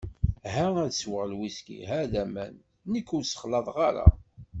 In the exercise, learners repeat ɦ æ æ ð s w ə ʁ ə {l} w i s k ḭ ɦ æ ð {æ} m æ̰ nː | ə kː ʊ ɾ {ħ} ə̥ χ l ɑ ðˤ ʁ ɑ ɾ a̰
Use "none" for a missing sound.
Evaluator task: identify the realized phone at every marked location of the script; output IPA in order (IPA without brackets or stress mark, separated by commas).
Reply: l, æ, s